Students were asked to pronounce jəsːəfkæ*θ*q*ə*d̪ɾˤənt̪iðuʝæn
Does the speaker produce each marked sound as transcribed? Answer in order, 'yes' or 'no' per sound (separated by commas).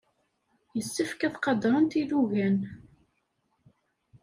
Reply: yes, no